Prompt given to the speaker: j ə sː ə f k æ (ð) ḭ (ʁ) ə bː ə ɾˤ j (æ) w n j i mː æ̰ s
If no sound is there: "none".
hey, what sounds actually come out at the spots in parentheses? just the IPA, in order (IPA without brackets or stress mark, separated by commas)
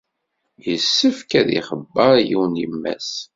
ð, χ, i